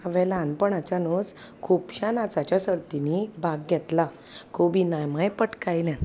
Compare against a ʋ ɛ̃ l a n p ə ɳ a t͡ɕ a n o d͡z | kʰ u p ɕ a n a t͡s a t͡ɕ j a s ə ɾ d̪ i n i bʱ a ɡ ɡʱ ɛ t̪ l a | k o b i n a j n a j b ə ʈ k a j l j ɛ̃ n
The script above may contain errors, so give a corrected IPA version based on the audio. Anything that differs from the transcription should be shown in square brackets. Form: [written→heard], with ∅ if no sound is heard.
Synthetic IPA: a ʋ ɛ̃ l a n p ə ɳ a t͡ɕ a n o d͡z | kʰ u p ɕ a n a t͡s a t͡ɕ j a s ə ɾ [d̪→t̪] i n i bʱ a ɡ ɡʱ ɛ t̪ l a | k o b i n a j [n→m] a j [b→p] ə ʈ k a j l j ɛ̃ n